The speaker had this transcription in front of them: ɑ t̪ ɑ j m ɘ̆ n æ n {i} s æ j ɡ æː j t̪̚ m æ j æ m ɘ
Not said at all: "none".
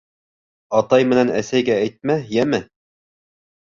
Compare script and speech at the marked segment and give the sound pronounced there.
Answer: æ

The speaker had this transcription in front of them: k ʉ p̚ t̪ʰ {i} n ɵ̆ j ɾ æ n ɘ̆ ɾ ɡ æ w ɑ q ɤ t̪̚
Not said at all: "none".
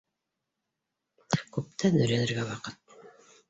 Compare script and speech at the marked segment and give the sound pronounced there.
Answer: æ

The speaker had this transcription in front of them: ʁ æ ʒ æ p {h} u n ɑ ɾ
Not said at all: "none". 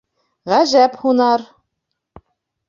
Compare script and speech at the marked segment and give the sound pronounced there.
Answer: h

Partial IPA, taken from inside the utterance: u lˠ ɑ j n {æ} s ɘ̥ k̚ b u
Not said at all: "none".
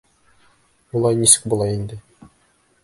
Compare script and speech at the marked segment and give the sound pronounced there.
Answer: i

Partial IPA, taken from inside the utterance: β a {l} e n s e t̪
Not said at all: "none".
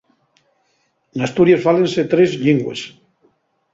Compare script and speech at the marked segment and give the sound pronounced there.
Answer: l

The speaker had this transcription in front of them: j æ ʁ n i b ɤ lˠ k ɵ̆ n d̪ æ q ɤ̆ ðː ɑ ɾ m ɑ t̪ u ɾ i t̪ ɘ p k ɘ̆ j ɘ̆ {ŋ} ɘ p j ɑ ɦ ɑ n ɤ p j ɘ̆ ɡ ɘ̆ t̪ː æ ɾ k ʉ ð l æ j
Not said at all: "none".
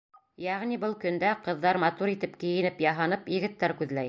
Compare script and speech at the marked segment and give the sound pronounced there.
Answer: n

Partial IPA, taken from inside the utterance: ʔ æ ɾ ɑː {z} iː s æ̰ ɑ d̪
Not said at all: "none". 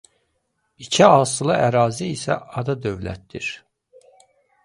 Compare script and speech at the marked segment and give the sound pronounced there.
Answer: z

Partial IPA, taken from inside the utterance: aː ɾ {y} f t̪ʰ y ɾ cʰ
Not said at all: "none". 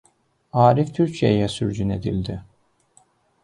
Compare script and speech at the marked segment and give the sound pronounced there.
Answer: i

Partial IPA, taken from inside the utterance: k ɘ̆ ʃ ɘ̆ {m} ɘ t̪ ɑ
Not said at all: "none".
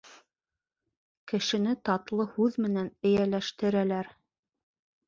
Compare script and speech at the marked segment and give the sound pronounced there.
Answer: n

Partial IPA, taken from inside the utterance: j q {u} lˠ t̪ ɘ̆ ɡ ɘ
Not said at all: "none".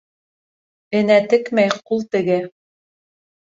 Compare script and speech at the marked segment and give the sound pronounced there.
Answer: u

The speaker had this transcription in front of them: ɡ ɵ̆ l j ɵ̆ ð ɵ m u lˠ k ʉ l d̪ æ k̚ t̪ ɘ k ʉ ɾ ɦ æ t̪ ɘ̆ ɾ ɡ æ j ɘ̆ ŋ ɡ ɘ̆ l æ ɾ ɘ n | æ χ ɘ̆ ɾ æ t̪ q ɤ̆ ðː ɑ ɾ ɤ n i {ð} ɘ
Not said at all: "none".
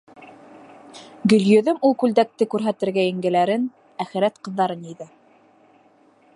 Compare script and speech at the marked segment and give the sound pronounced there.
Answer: ð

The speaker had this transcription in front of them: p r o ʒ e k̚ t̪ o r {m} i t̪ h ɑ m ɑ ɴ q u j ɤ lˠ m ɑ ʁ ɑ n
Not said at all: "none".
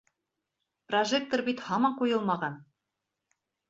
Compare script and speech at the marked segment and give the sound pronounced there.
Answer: b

